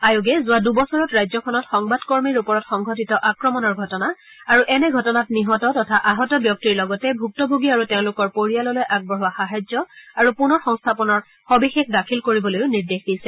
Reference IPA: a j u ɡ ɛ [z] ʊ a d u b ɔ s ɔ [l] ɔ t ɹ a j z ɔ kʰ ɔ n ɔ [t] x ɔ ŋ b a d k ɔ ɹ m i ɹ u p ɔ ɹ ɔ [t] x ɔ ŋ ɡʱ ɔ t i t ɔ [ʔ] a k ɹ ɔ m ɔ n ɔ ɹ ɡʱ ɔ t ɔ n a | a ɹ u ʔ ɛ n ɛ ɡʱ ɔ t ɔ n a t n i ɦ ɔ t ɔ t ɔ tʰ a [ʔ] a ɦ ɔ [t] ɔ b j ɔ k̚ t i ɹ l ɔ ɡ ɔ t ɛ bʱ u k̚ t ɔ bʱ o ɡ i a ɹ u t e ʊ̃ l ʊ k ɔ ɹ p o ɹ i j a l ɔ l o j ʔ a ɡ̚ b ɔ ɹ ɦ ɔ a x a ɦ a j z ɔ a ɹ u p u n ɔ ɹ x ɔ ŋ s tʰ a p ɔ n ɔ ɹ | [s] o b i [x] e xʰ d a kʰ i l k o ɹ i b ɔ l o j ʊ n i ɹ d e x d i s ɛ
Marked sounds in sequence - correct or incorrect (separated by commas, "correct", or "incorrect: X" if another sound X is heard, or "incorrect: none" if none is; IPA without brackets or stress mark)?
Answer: correct, incorrect: ɹ, correct, correct, correct, correct, correct, incorrect: x, correct